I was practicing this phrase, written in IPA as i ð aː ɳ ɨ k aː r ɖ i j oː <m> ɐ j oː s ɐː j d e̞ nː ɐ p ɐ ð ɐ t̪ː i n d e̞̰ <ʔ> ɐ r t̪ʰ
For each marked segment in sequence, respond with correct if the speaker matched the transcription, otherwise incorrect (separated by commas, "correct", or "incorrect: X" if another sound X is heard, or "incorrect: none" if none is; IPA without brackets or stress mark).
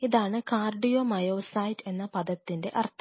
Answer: correct, correct